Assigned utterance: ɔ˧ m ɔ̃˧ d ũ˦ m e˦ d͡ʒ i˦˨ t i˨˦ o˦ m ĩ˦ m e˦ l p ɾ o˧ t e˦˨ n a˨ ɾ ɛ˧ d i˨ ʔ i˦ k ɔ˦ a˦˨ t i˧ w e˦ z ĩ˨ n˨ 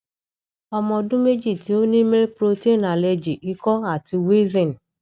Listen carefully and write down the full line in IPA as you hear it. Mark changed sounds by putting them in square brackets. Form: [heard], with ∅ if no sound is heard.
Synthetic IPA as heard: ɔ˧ m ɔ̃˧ d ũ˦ m e˦ d͡ʒ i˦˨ t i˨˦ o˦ [n] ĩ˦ m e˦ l p ɾ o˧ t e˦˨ n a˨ [l] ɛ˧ [d͡ʒ] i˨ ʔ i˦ k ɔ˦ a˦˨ t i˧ w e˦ z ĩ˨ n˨